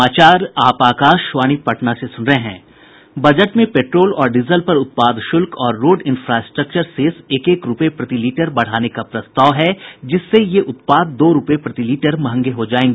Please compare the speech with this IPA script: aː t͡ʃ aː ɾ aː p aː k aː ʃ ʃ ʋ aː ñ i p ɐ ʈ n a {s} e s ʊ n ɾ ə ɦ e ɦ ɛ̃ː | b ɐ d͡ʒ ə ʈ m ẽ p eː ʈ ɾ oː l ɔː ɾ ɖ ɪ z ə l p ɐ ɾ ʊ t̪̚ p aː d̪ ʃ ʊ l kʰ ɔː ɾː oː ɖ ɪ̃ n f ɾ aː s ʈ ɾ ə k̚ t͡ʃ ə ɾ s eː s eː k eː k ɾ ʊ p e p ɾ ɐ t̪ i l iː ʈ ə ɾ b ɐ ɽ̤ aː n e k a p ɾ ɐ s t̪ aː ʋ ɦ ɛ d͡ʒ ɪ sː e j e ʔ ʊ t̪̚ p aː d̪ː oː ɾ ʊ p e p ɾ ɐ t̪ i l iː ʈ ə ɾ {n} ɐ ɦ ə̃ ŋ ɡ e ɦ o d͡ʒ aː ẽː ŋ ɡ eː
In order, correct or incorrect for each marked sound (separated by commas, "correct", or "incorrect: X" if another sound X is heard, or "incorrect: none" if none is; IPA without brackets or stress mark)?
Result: correct, incorrect: m